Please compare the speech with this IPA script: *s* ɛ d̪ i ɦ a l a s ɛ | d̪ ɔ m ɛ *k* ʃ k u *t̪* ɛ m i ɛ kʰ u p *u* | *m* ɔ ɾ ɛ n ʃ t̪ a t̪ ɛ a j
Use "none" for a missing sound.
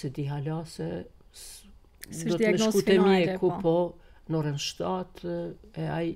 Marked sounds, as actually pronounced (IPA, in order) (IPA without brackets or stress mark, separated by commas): s, none, t̪, ɔ, n